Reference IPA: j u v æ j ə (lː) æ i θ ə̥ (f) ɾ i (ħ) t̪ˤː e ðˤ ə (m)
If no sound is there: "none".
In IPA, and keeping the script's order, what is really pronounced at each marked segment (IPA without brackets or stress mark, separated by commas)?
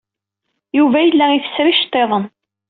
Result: lː, s, ʃ, n